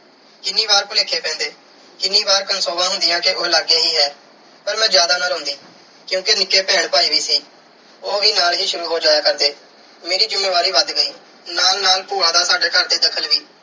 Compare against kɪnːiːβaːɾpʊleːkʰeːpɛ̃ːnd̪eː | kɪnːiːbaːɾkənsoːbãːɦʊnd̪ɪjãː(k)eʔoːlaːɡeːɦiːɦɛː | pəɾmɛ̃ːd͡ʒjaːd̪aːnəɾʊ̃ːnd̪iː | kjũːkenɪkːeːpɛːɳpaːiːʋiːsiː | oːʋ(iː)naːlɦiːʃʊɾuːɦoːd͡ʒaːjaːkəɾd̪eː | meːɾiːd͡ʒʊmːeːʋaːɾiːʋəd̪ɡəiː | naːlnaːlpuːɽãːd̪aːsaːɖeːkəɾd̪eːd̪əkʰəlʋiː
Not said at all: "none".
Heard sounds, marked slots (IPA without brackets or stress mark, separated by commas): k, iː